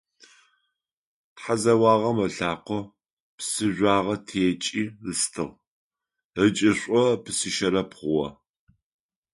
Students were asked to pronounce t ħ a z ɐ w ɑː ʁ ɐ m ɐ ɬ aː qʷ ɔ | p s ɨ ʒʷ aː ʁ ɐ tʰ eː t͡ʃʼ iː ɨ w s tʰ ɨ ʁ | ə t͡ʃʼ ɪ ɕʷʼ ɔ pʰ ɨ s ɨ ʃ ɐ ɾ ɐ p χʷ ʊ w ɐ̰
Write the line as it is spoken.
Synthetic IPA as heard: t ħ a z ɐ w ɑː ʁ ɐ m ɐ ɬ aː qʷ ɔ | p s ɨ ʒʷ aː ʁ ɐ tʰ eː t͡ʃʼ iː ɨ s tʰ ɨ ʁ | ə t͡ʃʼ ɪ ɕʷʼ ɔ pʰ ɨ s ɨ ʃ ɐ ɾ ɐ p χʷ ʊ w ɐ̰